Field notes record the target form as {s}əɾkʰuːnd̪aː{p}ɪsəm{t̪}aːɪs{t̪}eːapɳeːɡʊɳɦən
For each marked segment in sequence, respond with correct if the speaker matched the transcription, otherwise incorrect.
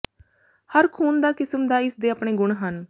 incorrect: h, incorrect: k, incorrect: d̪, incorrect: d̪

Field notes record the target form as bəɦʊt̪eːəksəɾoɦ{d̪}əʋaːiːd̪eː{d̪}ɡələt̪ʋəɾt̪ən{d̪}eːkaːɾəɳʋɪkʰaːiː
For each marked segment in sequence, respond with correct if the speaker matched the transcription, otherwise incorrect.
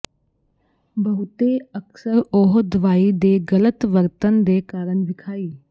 correct, incorrect: none, correct

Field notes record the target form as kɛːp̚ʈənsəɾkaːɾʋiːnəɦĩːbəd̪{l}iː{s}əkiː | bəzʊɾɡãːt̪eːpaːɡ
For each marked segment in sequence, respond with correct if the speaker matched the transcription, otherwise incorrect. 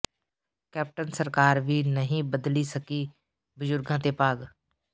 correct, correct

